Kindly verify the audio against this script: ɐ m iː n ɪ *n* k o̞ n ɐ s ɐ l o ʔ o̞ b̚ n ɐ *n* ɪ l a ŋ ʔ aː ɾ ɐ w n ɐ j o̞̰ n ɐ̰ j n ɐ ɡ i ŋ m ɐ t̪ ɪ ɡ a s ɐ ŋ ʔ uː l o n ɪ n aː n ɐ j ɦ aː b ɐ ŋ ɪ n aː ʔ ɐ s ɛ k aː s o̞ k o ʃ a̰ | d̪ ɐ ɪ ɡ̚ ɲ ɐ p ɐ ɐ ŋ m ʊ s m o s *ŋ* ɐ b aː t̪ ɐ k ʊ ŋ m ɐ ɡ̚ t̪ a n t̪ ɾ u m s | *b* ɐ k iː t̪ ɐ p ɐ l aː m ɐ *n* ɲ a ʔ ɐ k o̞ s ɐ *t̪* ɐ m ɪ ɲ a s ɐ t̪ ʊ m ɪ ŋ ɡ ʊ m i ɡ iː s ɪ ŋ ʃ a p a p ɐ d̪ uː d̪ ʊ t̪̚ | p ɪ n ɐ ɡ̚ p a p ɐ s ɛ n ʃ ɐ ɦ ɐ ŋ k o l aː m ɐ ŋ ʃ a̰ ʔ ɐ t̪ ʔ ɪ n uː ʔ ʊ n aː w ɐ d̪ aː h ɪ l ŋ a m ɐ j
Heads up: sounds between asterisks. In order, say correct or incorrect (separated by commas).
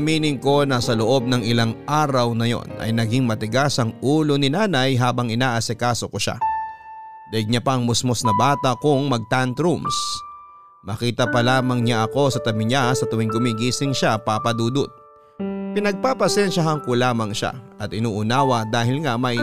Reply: incorrect, incorrect, incorrect, incorrect, incorrect, correct